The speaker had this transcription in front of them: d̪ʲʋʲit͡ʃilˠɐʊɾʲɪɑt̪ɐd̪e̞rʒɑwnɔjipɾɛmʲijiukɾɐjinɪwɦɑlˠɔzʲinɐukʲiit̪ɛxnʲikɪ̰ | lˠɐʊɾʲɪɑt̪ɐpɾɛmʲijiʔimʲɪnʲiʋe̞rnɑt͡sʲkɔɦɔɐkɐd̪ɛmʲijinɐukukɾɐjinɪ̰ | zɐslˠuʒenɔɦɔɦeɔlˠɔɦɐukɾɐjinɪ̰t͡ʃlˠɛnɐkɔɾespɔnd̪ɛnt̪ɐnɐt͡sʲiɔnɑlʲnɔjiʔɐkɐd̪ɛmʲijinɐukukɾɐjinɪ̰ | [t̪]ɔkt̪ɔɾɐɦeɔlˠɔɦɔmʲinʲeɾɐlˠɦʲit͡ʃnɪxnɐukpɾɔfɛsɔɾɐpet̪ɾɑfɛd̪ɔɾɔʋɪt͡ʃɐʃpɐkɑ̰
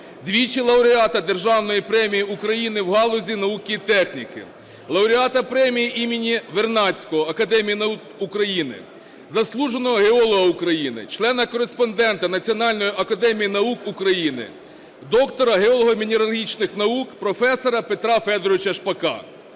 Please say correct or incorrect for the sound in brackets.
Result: incorrect: d̪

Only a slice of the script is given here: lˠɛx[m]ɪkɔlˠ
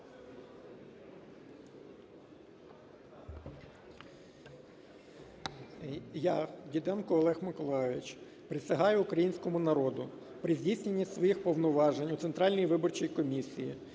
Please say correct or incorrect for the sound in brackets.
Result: correct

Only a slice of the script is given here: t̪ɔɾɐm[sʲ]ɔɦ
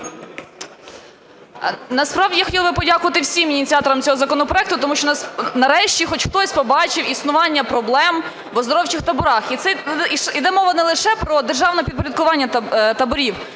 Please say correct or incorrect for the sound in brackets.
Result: incorrect: t͡sʲ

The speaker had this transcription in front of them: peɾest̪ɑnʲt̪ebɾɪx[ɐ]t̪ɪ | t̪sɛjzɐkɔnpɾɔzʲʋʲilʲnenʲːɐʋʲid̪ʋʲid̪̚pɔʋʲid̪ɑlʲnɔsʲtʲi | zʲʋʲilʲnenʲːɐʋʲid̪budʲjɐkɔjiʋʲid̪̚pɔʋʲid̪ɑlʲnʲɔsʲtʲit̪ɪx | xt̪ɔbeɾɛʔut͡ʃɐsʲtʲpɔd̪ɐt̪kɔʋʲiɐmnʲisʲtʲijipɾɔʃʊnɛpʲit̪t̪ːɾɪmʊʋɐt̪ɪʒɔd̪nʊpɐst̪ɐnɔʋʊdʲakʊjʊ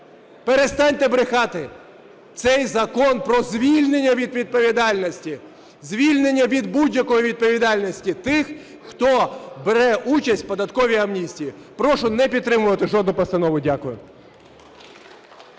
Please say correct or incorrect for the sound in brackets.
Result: incorrect: ɑ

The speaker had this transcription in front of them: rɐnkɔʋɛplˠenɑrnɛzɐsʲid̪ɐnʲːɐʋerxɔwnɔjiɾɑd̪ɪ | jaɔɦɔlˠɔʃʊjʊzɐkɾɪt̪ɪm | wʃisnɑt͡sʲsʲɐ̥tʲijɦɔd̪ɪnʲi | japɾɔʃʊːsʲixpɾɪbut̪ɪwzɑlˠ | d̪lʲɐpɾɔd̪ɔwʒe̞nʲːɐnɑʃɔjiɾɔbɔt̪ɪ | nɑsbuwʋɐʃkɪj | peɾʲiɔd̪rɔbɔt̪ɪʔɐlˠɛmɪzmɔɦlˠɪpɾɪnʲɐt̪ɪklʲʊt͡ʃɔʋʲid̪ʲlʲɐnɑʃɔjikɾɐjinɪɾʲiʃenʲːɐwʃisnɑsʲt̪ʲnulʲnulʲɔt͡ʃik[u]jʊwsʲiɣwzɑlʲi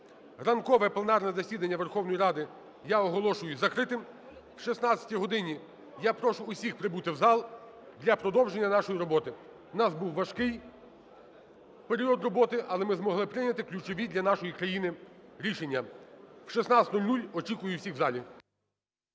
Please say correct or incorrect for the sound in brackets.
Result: incorrect: ʊ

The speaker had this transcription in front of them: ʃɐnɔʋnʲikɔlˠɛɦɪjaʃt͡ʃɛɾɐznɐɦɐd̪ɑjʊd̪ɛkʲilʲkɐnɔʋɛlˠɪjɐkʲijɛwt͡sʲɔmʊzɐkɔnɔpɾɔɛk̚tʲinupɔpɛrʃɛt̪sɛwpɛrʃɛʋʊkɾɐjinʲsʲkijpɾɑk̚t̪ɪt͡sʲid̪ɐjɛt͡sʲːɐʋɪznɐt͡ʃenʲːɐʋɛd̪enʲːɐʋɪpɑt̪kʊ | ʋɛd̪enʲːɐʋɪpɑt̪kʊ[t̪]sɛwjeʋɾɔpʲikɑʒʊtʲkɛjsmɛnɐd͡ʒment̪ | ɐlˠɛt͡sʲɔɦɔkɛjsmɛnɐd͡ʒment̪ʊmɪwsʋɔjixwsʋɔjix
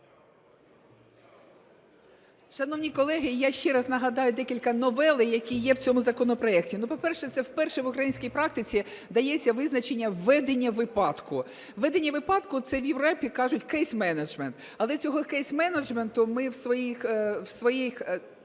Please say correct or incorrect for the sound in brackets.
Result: correct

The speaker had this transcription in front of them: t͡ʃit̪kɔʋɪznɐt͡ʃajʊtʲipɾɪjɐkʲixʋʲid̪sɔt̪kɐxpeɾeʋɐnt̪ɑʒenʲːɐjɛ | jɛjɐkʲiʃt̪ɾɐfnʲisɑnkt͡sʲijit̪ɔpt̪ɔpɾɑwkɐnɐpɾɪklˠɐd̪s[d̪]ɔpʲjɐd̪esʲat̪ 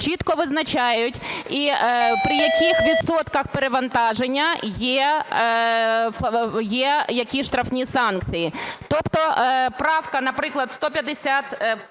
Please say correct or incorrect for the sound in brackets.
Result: incorrect: t̪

